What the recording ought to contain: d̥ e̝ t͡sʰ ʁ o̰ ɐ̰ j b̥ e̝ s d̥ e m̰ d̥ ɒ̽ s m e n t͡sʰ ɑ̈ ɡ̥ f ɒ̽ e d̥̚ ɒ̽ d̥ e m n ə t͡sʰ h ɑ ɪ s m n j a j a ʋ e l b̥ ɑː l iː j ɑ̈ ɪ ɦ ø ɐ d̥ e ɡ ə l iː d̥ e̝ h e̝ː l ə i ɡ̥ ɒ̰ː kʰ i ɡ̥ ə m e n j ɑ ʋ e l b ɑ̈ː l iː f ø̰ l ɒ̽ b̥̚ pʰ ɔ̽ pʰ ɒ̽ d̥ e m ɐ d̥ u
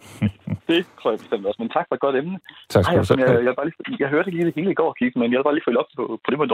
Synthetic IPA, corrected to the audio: d̥ e̝ t͡sʰ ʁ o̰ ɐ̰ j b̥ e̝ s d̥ e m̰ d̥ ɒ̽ s m e n t͡sʰ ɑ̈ ɡ̥ f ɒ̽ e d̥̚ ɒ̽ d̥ e m n ə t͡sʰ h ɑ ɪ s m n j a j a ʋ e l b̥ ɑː l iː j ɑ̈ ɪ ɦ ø ɐ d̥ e ɡ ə l iː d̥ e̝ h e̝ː l ə i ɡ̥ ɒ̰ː kʰ i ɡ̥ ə m e n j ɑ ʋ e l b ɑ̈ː l iː f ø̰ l ɒ̽ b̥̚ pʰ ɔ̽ pʰ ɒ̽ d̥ e m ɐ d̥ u